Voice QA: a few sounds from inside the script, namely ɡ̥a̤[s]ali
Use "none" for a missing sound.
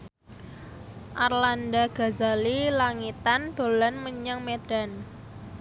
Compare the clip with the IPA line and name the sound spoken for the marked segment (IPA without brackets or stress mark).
z